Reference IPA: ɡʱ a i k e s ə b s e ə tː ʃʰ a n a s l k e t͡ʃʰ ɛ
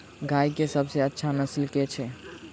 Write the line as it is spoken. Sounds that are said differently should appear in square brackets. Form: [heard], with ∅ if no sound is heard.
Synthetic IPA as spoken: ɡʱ a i k e s ə b s e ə tː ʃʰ a n [ə] s l k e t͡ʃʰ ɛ